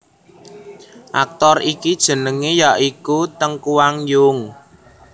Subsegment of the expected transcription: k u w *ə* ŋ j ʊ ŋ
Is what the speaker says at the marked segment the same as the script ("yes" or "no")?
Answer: no